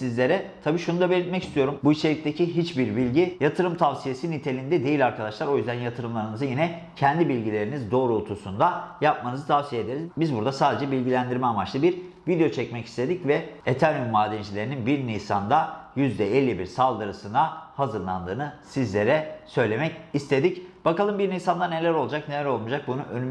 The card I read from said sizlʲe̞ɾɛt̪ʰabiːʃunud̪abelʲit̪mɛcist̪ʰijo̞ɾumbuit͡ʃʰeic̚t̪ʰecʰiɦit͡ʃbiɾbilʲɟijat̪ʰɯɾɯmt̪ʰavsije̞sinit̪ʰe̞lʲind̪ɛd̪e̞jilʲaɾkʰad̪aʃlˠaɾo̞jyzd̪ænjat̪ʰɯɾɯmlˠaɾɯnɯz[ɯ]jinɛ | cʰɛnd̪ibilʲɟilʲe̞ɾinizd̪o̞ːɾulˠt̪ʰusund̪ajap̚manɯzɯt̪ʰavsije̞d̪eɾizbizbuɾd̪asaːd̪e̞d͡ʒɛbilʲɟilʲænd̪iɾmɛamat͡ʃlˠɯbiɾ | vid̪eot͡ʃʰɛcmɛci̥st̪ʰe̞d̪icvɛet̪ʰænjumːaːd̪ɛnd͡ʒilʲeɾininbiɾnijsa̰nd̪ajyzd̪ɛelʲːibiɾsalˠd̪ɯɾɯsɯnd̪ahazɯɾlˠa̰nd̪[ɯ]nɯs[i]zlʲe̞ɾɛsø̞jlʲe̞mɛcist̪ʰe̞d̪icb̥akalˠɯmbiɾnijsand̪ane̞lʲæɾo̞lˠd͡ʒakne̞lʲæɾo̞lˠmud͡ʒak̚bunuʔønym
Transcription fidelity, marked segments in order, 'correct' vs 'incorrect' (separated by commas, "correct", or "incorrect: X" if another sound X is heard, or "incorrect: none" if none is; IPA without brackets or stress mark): correct, incorrect: ɯː, correct